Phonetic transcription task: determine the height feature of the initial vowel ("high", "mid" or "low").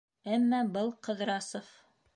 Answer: low